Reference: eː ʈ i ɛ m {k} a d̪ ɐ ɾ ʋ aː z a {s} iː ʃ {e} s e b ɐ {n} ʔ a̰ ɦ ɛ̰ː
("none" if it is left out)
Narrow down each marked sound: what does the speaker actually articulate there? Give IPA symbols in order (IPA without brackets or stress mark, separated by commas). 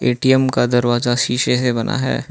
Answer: k, ʃ, e, n